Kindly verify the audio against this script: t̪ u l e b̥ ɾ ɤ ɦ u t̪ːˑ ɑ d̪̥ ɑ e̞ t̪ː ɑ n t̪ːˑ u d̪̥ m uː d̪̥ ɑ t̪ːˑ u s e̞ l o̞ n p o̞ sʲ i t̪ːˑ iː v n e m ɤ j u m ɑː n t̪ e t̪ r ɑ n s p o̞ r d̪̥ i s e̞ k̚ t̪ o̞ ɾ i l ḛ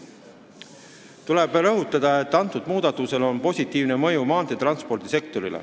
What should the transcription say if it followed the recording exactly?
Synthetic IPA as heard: t̪ u l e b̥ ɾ ɤ ɦ u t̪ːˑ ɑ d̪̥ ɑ e̞ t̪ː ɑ n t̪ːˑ u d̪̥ m uː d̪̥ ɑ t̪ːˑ u s e̞ l o̞ n p o̞ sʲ i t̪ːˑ iː v n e m ɤ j u m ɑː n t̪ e t̪ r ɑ n s p o̞ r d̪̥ i s e̞ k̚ t̪ o̞ ɾ i l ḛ